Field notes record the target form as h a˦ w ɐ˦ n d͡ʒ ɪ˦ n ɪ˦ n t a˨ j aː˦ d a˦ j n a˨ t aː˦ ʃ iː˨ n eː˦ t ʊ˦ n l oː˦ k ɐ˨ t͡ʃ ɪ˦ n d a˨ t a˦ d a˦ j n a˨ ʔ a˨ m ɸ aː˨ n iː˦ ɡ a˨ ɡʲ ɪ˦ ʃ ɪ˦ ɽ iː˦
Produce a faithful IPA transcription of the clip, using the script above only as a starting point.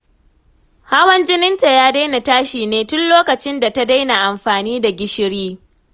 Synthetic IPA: h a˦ w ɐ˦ n d͡ʒ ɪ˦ n ɪ˦ n t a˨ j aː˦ d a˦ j n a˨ t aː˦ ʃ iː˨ n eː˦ t ʊ˦ n l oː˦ k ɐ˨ t͡ʃ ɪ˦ n d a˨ t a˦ d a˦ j n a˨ ʔ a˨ m ɸ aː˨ n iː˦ d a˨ ɡʲ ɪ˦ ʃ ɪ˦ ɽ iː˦